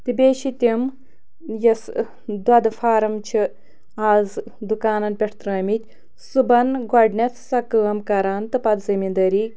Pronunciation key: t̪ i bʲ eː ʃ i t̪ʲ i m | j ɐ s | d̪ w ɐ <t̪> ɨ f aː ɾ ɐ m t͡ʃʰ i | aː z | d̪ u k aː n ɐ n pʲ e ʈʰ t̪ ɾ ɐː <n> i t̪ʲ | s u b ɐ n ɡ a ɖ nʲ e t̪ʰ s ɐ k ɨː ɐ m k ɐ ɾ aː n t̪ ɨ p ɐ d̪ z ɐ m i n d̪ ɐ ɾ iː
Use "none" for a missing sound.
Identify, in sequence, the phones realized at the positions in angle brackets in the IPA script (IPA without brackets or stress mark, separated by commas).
d̪, m